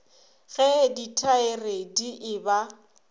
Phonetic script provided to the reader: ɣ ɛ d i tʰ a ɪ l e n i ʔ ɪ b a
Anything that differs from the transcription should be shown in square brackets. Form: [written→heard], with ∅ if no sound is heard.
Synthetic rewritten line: ɣ ɛ d i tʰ a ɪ [l→r] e [n→d] i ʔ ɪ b a